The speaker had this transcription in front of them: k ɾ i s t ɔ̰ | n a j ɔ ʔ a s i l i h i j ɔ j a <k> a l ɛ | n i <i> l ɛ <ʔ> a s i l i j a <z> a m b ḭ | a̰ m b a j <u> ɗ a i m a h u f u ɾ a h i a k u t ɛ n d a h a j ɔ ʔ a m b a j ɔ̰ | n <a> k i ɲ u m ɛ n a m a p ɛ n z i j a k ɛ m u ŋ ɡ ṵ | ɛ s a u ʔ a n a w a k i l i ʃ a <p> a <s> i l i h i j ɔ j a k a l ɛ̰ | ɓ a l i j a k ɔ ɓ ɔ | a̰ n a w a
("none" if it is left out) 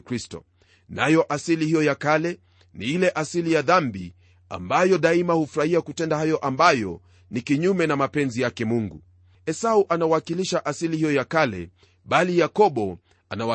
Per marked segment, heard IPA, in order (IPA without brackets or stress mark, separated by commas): k, i, ʔ, ð, ɔ, i, ʔ, s